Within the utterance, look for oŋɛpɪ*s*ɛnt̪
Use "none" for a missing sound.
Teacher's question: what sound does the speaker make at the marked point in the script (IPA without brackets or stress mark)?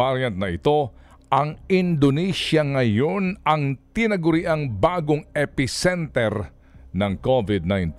s